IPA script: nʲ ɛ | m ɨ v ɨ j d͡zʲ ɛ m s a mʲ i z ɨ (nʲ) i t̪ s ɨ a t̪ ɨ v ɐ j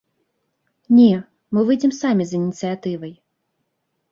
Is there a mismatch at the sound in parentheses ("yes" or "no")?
no